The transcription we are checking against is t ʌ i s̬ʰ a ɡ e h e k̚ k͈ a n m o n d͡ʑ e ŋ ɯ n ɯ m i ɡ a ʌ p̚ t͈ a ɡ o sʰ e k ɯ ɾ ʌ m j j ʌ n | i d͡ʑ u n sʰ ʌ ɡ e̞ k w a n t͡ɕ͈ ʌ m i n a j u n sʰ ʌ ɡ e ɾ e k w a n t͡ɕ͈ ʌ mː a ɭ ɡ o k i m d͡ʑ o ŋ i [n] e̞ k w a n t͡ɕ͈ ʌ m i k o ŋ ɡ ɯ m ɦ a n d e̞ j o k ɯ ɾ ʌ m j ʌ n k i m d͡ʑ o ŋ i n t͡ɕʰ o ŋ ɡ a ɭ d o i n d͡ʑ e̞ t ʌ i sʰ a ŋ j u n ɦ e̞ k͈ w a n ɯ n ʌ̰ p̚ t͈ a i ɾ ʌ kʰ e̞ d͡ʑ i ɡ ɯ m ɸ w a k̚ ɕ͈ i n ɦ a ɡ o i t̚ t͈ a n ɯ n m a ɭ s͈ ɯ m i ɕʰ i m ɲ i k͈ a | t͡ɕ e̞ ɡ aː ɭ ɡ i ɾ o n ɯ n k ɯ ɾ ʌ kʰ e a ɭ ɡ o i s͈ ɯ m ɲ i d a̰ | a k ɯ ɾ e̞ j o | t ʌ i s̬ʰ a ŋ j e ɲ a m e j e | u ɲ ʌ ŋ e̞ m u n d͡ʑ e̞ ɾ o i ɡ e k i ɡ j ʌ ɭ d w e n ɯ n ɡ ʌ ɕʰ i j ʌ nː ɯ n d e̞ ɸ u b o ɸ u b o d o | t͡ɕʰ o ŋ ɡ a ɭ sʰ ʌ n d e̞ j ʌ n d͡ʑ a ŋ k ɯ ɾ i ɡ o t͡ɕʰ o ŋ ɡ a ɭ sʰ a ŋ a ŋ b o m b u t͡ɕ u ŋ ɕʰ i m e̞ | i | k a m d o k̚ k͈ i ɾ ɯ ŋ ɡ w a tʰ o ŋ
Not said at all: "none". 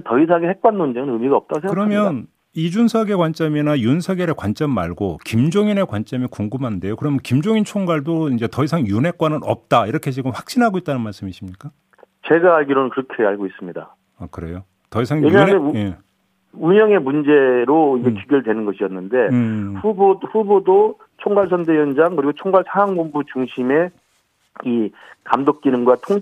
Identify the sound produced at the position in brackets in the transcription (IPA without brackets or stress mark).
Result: n